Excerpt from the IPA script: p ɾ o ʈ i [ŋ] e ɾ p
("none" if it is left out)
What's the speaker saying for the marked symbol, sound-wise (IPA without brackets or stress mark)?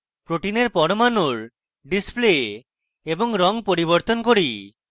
n